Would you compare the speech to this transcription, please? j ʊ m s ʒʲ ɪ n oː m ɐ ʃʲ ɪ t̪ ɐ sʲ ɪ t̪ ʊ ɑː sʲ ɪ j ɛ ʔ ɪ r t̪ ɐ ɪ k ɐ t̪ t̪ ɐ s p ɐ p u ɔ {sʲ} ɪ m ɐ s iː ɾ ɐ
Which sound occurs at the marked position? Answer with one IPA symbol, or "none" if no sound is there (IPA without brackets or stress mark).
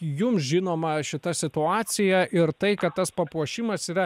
ʃʲ